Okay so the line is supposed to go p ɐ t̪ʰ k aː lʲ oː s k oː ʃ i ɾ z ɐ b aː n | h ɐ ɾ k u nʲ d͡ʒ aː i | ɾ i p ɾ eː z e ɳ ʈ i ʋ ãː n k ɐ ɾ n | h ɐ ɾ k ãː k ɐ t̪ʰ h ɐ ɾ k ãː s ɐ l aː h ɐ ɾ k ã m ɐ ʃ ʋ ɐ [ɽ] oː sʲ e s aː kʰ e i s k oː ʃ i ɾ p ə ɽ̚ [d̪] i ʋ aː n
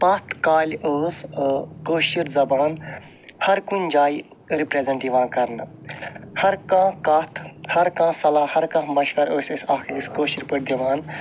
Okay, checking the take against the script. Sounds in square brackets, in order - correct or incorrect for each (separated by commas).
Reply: incorrect, correct